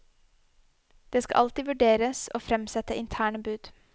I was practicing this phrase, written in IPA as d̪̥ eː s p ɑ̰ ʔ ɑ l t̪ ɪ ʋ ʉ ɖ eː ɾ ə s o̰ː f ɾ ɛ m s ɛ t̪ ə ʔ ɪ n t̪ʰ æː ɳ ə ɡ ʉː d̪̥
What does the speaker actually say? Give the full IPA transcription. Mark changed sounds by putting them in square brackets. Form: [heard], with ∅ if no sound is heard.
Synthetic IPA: d̪̥ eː s [k] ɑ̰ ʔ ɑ l t̪ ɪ ʋ ʉ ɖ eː ɾ ə s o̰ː f ɾ ɛ m s ɛ t̪ ə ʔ ɪ n t̪ʰ æː ɳ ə [b] ʉː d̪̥